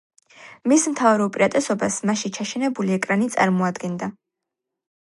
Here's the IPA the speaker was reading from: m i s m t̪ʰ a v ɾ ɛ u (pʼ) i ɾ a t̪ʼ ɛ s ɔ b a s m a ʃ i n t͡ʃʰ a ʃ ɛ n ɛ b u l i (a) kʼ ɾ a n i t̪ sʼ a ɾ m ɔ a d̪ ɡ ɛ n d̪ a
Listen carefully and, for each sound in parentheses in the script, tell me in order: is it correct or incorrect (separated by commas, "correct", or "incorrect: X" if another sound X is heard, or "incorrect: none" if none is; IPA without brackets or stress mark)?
correct, incorrect: ɛ